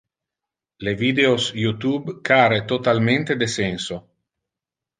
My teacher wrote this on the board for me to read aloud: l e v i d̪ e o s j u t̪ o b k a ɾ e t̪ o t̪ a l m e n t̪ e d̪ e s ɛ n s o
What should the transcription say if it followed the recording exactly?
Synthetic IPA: l e v i d̪ e o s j u t̪ u b k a ɾ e t̪ o t̪ a l m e n t̪ e d̪ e s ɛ n s o

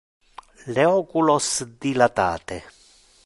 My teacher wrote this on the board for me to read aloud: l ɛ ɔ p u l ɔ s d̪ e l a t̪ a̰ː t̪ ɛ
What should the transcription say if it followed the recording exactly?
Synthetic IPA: l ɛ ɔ k u l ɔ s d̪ i l a t̪ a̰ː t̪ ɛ

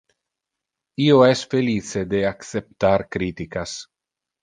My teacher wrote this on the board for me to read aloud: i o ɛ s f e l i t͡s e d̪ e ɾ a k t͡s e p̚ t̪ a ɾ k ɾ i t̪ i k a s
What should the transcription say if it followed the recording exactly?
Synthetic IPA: i o ɛ s f e l i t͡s e d̪ e a k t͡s e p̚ t̪ a ɾ k ɾ i t̪ i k a s

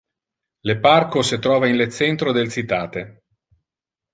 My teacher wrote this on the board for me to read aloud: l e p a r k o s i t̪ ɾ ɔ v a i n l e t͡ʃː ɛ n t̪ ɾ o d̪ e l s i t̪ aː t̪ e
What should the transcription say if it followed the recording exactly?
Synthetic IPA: l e p a r k o s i t̪ ɾ ɔː v a i n l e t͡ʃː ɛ n t̪ ɾ o d̪ e l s i t̪ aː t̪ e

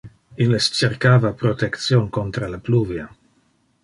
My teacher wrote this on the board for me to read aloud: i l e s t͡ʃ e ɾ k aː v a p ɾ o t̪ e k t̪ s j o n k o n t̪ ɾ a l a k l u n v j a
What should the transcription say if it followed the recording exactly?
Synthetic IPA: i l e s t͡ʃ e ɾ k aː v a p ɾ o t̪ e k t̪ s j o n k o n t̪ ɾ a l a p l u v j a

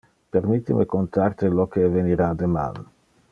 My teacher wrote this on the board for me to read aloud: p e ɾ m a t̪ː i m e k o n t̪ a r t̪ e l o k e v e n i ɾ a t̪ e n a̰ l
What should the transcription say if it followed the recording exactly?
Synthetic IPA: p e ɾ m i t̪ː i m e k o n t̪ a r t̪ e l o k e v e n i ɾ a d̪ e m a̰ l

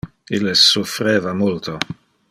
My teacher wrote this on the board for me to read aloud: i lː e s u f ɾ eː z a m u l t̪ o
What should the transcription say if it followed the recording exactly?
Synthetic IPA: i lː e s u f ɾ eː v a m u l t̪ o

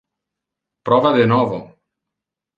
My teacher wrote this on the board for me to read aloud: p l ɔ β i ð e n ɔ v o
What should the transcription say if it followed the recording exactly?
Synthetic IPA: p ɾ ɔ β a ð e n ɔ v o

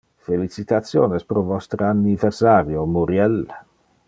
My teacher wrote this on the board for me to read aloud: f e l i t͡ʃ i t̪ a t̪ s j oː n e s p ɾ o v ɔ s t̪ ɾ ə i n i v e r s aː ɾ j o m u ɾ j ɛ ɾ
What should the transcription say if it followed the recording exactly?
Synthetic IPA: f e l i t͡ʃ i t̪ a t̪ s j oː n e s p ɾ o v ɔ s t̪ ɾ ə a n i v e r s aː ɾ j o m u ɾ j ɛ l

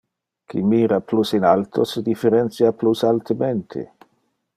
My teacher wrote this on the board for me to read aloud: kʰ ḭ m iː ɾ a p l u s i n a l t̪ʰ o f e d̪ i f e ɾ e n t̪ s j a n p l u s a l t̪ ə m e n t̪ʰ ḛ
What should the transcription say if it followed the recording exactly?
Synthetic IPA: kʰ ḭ m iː ɾ a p l u s i n a l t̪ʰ o s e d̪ i f e ɾ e n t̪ s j a p l u s a l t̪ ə m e n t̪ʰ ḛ

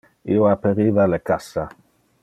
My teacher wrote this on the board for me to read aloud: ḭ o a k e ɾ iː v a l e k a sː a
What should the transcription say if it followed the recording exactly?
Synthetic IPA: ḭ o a p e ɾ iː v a l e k a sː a

